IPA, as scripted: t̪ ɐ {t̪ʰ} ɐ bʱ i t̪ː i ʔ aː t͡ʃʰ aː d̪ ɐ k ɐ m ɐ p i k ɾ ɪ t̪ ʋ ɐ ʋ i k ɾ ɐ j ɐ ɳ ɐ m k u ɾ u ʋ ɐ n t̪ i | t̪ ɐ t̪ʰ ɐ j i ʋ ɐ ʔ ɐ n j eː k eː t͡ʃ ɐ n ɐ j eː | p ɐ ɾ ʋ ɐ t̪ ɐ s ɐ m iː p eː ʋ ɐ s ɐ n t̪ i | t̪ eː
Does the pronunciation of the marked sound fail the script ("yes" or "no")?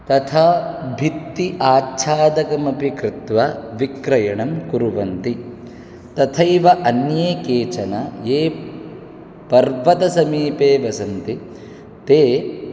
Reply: no